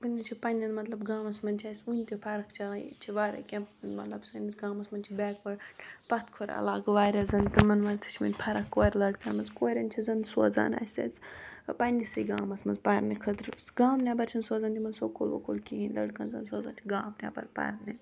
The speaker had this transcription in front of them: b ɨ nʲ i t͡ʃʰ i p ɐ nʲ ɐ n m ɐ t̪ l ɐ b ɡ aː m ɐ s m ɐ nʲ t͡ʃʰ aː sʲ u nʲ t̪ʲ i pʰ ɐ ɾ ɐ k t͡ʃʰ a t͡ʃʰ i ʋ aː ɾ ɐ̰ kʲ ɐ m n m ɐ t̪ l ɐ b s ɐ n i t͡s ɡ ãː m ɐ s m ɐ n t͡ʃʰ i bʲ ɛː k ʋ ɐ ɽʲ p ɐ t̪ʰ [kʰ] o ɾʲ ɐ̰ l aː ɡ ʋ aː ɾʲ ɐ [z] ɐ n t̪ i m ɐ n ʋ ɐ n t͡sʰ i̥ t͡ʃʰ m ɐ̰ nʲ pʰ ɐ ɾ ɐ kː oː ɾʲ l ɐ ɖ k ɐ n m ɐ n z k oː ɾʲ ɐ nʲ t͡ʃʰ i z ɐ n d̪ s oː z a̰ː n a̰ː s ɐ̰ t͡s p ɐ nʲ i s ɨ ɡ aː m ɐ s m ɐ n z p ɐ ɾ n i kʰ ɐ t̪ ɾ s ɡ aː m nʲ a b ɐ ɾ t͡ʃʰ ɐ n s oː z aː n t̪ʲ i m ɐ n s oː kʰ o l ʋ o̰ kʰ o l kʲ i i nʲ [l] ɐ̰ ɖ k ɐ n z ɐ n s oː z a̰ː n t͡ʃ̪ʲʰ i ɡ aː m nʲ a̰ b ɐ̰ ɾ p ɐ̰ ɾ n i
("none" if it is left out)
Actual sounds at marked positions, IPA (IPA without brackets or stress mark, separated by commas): kʰ, z, l